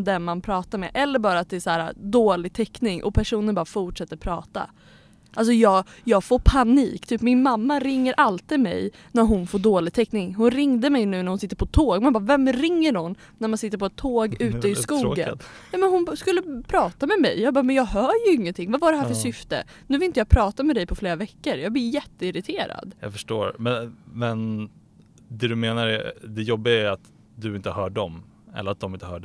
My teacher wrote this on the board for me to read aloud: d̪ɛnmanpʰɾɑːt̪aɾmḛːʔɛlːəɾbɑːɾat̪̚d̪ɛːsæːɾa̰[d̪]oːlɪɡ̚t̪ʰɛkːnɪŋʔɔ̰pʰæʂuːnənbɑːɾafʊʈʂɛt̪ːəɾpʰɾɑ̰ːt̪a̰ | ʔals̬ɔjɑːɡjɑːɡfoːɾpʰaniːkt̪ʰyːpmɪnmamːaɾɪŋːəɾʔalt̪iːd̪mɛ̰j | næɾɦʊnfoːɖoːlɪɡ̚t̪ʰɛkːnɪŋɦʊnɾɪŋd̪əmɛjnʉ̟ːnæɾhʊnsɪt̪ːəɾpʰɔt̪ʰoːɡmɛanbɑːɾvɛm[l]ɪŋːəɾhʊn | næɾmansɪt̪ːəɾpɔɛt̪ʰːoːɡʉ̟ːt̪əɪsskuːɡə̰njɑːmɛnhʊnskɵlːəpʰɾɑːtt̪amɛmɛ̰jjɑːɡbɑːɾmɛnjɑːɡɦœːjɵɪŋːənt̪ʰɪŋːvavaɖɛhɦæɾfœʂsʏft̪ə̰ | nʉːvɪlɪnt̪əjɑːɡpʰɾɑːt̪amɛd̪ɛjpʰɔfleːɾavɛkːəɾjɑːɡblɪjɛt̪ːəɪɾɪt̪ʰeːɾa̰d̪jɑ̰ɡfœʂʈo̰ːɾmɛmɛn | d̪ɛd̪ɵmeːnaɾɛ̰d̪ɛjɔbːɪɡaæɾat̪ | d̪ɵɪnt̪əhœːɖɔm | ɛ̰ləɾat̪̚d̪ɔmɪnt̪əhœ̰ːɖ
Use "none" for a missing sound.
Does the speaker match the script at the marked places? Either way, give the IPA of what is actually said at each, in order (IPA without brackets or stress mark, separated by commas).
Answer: d̪, ɾ